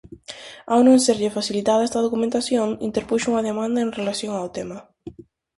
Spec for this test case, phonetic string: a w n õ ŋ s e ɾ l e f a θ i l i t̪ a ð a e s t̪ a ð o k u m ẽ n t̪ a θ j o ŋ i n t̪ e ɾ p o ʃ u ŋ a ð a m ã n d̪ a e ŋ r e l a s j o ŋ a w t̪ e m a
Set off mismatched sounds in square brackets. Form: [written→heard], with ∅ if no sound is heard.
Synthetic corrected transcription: a w n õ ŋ s e ɾ [l→ʎ] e f a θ i l i t̪ a ð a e s t̪ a ð o k u m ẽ n t̪ a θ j o ŋ i n t̪ e ɾ p [o→u] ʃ u ŋ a ð [a→e] m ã n d̪ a e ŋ r e l a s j o ŋ a w t̪ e m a